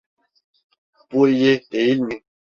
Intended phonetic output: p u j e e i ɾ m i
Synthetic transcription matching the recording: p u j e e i l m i

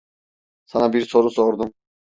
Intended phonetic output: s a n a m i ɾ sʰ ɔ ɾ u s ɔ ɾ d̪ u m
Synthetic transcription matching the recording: s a n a b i ɾ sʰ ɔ ɾ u s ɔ ɾ d̪ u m

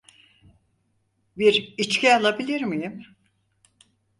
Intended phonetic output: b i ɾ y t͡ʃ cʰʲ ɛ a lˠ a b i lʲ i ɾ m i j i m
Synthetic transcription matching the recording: b i ɾ i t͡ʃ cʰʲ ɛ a lˠ a b i lʲ i ɾ m i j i m

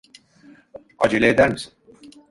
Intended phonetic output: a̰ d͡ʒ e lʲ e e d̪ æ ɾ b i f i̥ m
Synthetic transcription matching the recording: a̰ d͡ʒ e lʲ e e d̪ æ ɾ m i s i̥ n

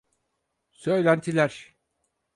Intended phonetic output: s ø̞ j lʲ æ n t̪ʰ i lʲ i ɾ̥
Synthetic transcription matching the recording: s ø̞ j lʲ æ n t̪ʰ i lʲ æ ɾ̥

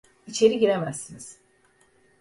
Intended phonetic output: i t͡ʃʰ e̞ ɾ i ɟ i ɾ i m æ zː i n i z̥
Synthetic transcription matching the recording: i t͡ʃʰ e̞ ɾ i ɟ i ɾ e m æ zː i n i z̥

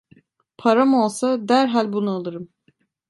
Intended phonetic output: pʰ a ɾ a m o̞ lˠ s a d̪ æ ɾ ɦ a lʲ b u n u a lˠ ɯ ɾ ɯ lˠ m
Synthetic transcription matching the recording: pʰ a ɾ a m o̞ lˠ s a d̪ æ ɾ ɦ a lʲ b u n u a lˠ ɯ ɾ ɯ m

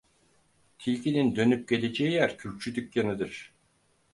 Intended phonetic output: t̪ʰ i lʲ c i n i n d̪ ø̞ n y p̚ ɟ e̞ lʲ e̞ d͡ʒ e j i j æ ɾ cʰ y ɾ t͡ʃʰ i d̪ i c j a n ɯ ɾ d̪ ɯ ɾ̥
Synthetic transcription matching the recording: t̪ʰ i lʲ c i n i n d̪ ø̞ n y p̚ ɟ e̞ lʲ e̞ d͡ʒ e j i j æ ɾ cʰ y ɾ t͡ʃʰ y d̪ y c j a n ɯ d̪ ɯ ɾ̥

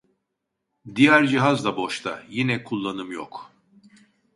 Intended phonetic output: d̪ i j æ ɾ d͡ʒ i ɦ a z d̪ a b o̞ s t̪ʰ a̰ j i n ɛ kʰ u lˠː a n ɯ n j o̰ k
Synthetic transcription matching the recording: d̪ i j æ ɾ d͡ʒ i ɦ a z d̪ a b o̞ ʃ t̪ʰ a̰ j i n ɛ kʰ u lˠː a n ɯ m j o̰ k

